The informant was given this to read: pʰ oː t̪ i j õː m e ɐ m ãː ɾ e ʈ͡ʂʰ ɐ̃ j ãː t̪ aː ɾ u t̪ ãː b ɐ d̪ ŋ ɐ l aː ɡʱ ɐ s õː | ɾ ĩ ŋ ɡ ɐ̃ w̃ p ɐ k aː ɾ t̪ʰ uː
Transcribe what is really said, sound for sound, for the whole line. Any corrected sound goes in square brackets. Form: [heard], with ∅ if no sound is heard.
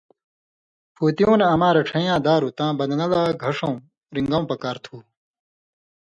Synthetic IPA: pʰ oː t̪ i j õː [n] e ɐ m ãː ɾ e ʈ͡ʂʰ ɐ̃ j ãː [d̪] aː ɾ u t̪ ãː b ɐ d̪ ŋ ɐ l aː ɡʱ ɐ [ʂ] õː | ɾ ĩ ŋ ɡ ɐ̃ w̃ p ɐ k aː ɾ t̪ʰ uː